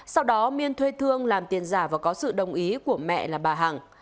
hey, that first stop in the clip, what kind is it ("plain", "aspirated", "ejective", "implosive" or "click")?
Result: implosive